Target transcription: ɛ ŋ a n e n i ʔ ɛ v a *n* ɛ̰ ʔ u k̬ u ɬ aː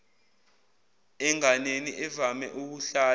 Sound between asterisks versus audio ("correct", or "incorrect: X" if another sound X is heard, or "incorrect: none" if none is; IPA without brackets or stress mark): incorrect: m